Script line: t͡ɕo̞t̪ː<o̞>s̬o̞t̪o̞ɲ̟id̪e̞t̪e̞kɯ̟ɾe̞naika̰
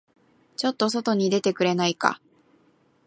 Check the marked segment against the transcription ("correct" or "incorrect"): correct